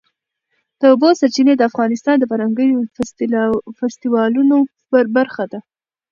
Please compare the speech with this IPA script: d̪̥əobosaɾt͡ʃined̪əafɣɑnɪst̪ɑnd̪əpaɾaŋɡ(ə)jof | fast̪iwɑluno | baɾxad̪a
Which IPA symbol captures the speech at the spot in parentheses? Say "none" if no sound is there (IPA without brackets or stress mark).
ə